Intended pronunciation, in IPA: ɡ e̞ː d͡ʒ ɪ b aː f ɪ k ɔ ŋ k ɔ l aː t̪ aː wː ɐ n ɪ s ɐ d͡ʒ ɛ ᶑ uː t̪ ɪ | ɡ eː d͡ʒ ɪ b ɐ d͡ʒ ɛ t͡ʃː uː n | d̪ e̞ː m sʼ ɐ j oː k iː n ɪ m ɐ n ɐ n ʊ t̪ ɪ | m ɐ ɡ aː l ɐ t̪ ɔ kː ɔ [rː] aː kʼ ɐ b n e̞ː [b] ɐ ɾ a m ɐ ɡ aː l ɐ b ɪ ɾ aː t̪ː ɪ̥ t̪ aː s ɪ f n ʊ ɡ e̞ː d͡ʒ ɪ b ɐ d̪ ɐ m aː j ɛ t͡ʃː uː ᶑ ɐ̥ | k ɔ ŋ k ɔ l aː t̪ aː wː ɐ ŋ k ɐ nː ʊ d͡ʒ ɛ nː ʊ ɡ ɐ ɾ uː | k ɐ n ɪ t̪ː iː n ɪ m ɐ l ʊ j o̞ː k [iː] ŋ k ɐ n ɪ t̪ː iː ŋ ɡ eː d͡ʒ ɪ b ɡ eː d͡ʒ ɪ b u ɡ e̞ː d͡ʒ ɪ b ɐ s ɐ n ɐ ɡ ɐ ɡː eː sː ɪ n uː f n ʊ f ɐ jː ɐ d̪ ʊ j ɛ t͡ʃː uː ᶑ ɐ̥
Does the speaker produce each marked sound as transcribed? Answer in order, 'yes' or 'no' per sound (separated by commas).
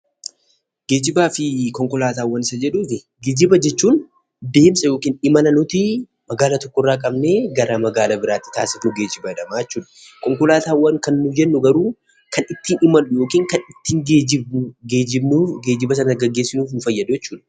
yes, no, yes